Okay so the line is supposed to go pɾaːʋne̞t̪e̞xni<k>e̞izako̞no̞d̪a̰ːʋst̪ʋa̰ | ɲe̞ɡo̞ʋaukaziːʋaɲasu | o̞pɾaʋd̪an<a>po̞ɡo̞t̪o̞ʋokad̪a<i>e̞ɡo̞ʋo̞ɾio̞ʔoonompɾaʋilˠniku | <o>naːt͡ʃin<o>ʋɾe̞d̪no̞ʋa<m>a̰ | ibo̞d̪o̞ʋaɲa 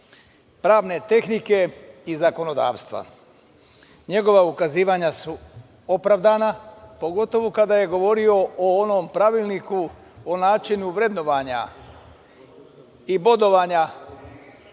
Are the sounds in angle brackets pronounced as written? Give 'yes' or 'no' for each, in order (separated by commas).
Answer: yes, yes, no, yes, no, no